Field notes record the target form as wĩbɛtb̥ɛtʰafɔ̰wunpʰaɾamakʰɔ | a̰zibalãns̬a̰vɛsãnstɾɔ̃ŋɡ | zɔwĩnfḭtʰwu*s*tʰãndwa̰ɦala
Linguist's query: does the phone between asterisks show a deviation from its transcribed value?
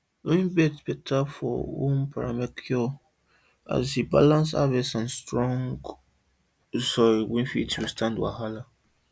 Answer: no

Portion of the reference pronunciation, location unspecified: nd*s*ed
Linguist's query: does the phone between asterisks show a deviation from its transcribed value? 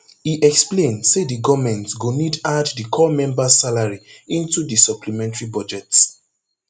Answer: no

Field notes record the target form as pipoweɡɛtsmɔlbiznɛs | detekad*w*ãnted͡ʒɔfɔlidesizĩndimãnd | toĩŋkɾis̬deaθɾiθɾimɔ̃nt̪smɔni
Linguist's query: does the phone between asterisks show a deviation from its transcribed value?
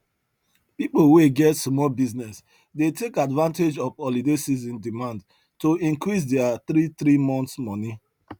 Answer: yes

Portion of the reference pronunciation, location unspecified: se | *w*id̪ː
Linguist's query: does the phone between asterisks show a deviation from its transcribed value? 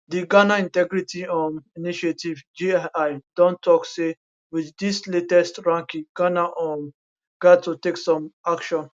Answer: no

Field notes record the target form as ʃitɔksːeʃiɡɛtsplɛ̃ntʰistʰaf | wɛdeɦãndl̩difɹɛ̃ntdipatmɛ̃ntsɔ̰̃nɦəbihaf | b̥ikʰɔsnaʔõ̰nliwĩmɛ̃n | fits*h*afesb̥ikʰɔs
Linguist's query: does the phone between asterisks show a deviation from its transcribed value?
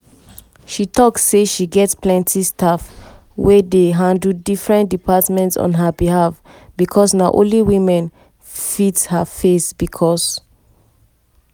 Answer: no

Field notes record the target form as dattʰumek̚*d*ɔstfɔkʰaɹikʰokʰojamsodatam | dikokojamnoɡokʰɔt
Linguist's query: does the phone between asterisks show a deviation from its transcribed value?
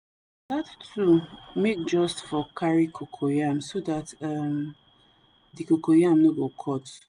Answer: yes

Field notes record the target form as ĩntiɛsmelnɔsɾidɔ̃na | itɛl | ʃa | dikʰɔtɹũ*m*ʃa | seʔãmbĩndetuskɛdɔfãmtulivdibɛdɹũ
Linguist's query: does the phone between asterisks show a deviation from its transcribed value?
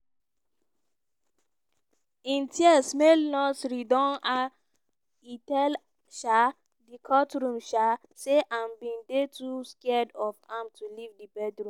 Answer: no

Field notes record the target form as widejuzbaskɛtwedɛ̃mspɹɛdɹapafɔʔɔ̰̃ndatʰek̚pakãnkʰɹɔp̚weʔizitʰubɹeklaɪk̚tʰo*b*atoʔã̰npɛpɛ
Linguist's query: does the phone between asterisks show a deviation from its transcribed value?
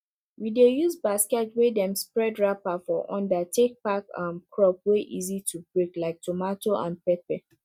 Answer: yes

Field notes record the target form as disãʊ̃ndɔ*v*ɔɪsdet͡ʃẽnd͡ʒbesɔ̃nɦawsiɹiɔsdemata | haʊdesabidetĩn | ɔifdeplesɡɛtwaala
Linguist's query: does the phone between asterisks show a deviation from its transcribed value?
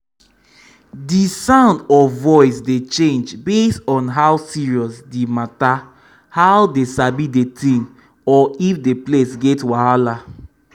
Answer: no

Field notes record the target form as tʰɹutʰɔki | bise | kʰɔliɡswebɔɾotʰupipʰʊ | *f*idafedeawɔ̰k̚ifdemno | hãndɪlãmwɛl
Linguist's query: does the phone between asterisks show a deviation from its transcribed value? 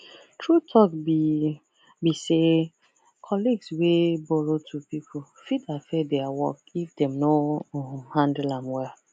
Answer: no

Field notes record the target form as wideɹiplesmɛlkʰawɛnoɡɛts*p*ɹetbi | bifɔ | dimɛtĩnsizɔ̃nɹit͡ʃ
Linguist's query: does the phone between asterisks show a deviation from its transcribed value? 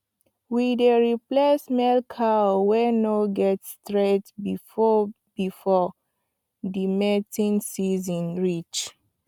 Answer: yes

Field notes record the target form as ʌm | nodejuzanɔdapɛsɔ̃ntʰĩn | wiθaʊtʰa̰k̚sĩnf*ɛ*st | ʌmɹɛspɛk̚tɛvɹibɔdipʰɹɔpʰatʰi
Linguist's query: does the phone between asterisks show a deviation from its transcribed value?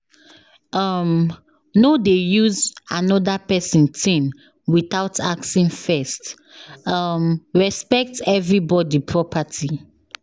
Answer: no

